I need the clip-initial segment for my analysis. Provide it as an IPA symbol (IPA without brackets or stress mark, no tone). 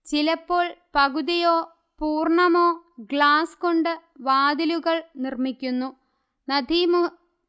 t͡ɕ